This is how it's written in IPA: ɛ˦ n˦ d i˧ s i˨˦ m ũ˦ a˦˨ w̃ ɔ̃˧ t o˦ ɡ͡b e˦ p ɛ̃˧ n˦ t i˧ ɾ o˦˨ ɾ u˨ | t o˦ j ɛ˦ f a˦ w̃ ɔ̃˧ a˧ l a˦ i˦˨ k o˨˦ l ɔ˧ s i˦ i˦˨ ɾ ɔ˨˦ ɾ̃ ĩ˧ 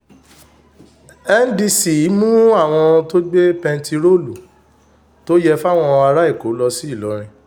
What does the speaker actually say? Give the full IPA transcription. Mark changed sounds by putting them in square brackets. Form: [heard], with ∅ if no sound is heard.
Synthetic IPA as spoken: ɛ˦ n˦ d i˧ s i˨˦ m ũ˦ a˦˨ w̃ ɔ̃˧ t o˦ ɡ͡b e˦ p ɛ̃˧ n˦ t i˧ ɾ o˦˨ [l] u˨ | t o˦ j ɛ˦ f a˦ w̃ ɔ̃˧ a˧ [ɾ] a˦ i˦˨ k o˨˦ l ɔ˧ s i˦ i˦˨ [l] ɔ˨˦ ɾ̃ ĩ˧